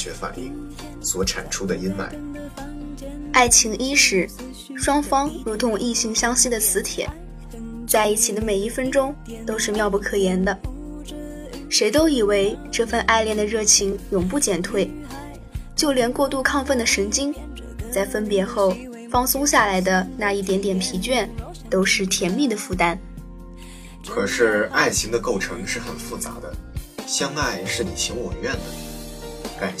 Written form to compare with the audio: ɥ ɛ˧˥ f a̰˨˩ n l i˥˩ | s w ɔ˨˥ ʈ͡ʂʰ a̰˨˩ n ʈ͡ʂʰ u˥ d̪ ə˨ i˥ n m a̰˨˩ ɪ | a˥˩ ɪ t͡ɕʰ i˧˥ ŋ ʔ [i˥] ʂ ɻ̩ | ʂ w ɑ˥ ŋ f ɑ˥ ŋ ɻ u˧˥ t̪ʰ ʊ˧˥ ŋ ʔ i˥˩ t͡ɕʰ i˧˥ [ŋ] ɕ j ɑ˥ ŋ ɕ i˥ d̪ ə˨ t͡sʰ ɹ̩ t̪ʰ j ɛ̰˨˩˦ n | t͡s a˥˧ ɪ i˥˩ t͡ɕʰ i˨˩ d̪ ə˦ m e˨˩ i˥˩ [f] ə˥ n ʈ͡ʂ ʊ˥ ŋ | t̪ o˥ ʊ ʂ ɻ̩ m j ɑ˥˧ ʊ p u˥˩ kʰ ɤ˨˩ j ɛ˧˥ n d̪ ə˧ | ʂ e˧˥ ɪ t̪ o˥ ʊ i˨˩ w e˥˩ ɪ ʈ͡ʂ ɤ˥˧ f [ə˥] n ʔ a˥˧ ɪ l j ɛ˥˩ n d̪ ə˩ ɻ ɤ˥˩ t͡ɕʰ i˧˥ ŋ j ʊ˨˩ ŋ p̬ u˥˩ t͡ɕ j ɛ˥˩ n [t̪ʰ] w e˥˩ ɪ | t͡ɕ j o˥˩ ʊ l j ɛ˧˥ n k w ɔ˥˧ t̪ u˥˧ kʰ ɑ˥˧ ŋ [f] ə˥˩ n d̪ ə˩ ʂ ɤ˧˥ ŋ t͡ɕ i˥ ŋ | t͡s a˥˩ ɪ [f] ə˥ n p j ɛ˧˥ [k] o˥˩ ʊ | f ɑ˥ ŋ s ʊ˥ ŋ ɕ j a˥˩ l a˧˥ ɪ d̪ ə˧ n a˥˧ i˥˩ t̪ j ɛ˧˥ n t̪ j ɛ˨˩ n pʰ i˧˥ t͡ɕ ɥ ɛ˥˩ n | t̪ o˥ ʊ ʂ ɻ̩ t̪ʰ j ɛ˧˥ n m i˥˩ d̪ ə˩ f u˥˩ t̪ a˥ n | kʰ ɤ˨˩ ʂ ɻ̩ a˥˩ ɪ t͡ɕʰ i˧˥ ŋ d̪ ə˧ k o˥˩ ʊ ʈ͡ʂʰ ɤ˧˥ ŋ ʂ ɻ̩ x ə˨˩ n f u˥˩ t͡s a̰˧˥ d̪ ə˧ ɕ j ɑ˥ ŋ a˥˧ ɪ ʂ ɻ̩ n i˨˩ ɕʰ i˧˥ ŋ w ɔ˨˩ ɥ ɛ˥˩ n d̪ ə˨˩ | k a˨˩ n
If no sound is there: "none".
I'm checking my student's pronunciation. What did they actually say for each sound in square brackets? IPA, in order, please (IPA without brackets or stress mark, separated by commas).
i˥, ŋ, f, ə˥˧, t̪ʰ, f, f, x